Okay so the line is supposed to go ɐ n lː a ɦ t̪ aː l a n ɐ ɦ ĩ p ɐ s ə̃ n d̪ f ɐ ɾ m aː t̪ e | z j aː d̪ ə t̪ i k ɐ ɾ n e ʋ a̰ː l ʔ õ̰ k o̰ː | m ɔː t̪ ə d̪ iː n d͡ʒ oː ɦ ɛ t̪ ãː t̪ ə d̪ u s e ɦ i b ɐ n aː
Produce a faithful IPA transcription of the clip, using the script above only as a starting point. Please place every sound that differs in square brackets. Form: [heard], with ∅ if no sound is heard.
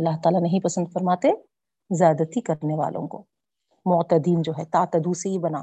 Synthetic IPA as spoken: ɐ [∅] lː a ɦ t̪ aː l a n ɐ ɦ ĩ p ɐ s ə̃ n d̪ f ɐ ɾ m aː t̪ e | z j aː d̪ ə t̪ i k ɐ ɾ n e ʋ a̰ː l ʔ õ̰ k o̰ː | m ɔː t̪ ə d̪ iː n d͡ʒ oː ɦ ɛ t̪ [aː] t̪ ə d̪ u s e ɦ i b ɐ n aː